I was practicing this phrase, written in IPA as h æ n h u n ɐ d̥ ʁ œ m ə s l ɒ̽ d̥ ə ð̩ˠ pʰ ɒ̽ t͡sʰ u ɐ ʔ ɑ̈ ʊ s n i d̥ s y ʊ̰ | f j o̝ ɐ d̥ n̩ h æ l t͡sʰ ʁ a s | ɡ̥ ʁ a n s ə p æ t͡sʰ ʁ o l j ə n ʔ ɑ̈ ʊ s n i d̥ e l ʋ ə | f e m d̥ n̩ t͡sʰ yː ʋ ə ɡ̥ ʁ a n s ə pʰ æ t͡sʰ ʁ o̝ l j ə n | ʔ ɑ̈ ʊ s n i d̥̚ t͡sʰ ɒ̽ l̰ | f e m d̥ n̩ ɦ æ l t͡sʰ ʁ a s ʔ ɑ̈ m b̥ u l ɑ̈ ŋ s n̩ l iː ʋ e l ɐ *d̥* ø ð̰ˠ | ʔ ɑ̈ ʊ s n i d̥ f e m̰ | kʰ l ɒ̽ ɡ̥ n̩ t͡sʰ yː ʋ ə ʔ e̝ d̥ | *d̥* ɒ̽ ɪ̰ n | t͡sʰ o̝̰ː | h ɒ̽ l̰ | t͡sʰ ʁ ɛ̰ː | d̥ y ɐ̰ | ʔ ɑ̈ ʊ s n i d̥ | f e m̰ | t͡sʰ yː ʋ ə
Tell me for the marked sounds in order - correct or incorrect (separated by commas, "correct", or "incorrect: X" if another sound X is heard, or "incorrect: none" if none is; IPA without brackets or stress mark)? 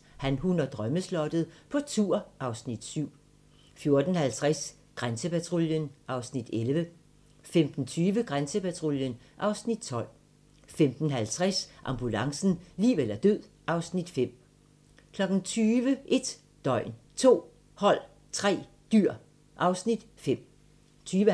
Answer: correct, correct